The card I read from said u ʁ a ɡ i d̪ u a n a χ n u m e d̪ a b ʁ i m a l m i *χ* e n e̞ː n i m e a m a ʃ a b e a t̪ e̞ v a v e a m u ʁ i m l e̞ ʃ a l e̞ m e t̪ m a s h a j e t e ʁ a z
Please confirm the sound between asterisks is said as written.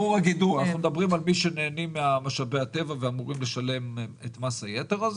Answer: no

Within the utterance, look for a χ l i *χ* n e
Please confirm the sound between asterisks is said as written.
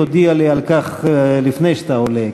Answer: no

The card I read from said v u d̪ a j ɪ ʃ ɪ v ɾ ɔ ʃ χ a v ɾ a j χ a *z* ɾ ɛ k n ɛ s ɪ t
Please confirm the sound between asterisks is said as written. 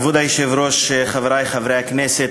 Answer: no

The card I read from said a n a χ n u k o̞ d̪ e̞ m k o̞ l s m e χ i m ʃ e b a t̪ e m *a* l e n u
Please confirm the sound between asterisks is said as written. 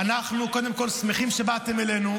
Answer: no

